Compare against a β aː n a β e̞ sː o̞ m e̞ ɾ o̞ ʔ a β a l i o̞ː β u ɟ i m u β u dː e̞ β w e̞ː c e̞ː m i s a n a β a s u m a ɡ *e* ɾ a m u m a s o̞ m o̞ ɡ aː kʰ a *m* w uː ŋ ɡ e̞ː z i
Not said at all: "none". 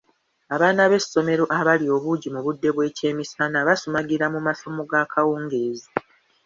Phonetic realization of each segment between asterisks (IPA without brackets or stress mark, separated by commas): i, none